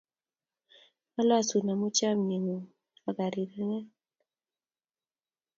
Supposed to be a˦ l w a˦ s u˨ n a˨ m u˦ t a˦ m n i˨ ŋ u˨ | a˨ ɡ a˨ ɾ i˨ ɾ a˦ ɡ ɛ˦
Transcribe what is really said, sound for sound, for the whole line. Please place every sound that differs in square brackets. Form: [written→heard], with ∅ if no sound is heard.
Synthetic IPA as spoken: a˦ l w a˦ s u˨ n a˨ m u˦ [t→t͡ʃ] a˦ m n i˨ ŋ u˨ | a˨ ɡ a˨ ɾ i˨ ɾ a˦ [ɡ→ŋ] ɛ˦